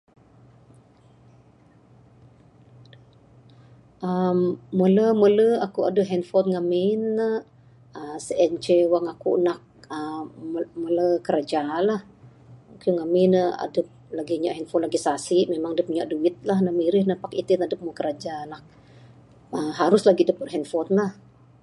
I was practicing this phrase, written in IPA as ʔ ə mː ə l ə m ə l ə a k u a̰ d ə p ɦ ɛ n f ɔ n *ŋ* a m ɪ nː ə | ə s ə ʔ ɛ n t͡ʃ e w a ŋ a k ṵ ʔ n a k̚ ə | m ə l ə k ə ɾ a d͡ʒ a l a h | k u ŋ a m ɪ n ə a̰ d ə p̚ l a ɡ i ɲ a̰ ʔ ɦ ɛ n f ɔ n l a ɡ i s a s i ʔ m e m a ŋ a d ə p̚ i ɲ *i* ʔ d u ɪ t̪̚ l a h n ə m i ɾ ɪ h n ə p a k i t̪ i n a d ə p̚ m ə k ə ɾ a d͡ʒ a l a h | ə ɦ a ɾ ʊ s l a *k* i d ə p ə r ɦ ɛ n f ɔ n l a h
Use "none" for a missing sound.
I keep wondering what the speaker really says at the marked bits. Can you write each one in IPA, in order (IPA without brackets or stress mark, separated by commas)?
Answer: ŋ, a, ɡ